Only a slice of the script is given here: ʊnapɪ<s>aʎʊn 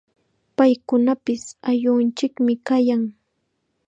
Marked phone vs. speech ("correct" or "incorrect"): correct